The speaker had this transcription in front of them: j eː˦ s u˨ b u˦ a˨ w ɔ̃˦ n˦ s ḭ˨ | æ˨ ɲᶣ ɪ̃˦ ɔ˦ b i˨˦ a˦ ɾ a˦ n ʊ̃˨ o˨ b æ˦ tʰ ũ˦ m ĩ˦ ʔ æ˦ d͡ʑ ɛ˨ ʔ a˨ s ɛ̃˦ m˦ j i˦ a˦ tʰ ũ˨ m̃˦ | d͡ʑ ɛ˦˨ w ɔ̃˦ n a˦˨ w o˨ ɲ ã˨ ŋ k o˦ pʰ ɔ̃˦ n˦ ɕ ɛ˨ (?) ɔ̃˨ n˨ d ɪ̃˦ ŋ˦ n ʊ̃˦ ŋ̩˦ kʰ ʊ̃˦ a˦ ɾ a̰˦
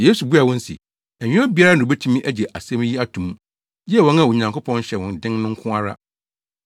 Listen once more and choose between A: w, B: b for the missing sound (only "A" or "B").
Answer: A